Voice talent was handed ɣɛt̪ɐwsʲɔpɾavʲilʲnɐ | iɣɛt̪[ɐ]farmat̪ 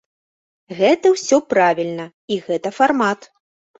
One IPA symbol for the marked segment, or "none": ɐ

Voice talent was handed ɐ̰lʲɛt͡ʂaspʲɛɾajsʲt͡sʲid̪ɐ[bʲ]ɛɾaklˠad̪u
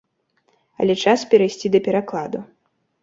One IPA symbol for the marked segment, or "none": pʲ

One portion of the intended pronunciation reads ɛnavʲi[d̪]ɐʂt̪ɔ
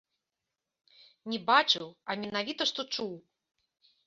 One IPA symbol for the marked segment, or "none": t̪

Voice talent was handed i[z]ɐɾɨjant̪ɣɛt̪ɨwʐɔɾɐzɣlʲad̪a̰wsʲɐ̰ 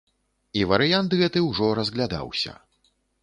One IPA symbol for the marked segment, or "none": v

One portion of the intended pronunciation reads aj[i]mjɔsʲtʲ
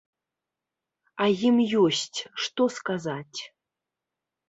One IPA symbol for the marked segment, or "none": i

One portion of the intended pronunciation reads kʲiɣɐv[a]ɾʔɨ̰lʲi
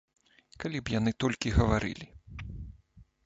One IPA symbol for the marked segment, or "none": a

